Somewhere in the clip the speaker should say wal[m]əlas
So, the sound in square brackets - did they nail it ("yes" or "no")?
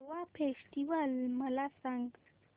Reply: yes